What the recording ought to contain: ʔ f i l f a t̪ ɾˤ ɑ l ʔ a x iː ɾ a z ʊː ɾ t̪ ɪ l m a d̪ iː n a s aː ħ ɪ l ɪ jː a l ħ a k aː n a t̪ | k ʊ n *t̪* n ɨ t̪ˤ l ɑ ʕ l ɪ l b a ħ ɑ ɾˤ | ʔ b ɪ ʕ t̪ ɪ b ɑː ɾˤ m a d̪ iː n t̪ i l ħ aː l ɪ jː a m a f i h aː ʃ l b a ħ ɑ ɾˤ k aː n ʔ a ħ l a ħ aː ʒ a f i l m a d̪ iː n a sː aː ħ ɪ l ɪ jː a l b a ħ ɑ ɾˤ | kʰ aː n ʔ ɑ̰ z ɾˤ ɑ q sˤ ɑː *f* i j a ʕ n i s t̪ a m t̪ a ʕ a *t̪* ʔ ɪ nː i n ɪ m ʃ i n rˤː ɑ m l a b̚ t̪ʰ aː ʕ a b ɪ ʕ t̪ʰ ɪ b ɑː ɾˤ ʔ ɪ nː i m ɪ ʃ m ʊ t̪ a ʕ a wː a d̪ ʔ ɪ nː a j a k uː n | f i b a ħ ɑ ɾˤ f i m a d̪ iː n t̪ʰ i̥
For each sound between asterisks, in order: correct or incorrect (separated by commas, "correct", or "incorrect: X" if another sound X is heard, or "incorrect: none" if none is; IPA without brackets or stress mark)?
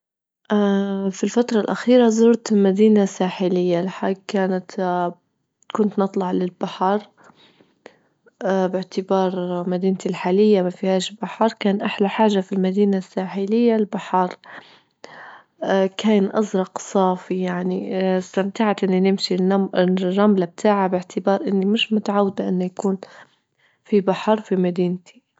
correct, correct, correct